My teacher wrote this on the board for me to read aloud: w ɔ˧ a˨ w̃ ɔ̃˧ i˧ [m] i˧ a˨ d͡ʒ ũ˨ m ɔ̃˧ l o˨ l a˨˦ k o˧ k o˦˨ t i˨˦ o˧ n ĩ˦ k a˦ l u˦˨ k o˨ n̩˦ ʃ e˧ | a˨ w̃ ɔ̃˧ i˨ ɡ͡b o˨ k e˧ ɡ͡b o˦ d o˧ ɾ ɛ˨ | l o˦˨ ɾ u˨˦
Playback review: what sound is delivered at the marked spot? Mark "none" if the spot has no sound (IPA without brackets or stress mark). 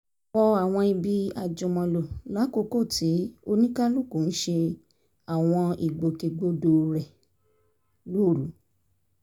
b